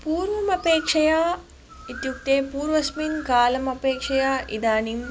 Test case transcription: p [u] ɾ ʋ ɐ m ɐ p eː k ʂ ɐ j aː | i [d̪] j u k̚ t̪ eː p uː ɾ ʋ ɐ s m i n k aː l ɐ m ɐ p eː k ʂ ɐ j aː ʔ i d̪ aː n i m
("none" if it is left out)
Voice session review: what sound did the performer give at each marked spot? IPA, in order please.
uː, t̪

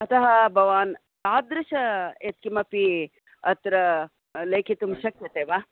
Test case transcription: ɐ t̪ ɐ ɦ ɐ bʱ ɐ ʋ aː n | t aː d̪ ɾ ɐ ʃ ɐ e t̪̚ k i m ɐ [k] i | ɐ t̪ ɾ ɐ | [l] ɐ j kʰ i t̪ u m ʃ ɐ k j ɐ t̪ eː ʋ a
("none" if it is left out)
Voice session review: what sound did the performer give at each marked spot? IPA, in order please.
p, l

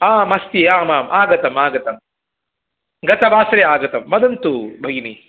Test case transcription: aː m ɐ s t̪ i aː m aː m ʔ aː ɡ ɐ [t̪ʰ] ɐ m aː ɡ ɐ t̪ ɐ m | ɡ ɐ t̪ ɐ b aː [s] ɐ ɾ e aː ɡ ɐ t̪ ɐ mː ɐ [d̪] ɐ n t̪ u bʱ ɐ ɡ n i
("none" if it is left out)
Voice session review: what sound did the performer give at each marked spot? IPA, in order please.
t̪, s, d̪

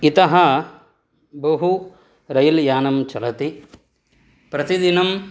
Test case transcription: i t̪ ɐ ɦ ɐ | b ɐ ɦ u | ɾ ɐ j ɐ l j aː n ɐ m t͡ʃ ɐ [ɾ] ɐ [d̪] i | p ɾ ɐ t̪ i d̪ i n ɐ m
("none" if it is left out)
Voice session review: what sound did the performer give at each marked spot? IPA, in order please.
l, t̪

